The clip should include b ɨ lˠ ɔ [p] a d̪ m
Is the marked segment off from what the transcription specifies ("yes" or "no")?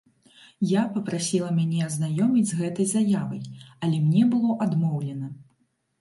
yes